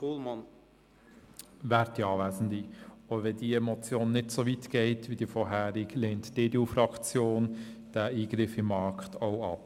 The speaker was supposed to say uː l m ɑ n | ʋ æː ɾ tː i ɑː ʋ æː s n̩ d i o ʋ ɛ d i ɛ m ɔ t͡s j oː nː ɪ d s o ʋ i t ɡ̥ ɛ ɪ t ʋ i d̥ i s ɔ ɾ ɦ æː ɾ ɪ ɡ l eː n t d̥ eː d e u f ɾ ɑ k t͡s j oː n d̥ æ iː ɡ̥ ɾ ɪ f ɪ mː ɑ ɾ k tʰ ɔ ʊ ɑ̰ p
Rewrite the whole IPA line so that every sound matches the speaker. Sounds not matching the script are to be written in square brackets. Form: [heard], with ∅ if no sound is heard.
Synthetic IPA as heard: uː l m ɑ n | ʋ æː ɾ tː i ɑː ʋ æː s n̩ d i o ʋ ɛ d i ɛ m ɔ t͡s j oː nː ɪ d s o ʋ i t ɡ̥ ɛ ɪ t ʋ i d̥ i [f] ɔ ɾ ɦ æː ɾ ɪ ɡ l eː n t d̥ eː d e u f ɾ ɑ k t͡s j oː n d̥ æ iː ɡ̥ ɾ ɪ f ɪ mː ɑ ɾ k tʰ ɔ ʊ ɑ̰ p